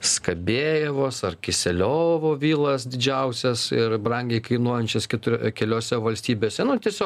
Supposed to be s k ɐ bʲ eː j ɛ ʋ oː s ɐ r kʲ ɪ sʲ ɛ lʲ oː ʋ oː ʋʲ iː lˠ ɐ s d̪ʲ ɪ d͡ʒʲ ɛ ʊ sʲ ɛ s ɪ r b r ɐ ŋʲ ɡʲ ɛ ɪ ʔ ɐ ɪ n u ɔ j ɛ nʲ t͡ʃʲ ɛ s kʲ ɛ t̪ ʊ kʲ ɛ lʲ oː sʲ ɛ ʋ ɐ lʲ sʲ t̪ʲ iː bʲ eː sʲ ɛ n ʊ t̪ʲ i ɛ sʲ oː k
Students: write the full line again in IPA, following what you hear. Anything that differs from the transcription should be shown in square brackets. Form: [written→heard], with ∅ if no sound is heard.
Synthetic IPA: s k ɐ bʲ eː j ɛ ʋ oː s ɐ r kʲ ɪ sʲ ɛ lʲ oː ʋ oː ʋʲ iː lˠ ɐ s d̪ʲ ɪ d͡ʒʲ ɛ ʊ sʲ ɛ s ɪ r b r ɐ ŋʲ ɡʲ ɛ ɪ [ʔ→k] ɐ ɪ n u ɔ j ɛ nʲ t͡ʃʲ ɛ s kʲ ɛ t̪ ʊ kʲ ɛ lʲ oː sʲ ɛ ʋ ɐ lʲ sʲ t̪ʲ iː bʲ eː sʲ ɛ n ʊ t̪ʲ i ɛ sʲ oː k